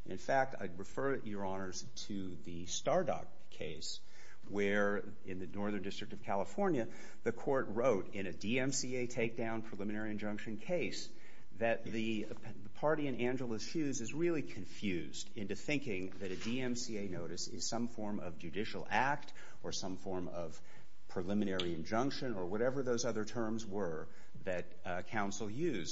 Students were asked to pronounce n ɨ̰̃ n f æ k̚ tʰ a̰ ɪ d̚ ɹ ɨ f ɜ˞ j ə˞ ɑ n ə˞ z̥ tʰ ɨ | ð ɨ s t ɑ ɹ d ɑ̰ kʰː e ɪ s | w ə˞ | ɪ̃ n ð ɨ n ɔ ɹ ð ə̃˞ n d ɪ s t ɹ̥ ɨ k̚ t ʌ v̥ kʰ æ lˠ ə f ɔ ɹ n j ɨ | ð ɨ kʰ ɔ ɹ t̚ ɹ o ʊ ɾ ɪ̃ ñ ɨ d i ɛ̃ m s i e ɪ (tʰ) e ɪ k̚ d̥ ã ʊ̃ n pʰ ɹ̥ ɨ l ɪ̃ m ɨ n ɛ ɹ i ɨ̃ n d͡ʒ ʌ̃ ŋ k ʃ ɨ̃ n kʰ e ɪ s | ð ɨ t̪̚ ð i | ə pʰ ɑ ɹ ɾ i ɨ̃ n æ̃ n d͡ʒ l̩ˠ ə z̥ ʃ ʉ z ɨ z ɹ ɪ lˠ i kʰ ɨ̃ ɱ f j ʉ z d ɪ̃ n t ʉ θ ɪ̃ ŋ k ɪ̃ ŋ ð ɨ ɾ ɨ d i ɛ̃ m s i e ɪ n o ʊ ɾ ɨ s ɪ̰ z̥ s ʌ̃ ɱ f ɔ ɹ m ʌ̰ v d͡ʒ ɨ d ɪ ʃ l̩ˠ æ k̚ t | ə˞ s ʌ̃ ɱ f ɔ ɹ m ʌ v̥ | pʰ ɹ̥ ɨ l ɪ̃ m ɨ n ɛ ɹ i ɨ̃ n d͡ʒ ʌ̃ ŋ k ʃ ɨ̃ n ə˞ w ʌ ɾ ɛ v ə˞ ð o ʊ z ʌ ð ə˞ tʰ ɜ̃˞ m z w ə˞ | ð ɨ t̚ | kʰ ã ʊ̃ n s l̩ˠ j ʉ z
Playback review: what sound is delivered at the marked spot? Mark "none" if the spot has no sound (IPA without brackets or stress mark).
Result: tʰ